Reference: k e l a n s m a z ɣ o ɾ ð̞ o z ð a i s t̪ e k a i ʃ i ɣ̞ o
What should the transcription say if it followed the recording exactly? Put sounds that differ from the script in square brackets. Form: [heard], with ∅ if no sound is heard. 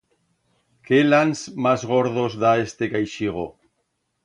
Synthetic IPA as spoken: k e l a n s m a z ɣ o ɾ ð̞ o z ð a [e] s t̪ e k a [j] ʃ i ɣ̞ o